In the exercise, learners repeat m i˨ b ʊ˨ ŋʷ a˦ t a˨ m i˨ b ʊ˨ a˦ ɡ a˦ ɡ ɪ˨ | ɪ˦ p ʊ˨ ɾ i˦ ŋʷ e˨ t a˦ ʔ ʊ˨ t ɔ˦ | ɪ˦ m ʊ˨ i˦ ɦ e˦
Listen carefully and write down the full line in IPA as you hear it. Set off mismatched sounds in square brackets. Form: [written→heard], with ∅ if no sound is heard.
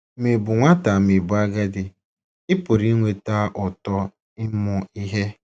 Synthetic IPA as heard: m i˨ b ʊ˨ ŋʷ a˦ t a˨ m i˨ b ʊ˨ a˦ ɡ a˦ [ɡ→d] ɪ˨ | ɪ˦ p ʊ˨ ɾ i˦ ŋʷ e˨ t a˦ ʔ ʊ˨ t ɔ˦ | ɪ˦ m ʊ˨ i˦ ɦ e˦